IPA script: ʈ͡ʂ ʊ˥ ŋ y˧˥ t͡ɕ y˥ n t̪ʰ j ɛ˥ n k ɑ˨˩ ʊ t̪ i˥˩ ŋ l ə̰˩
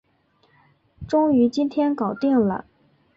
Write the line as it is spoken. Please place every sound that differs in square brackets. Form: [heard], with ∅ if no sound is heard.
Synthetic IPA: ʈ͡ʂ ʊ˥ ŋ y˧˥ t͡ɕ [i˥] n t̪ʰ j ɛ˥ n k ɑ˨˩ ʊ t̪ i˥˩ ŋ l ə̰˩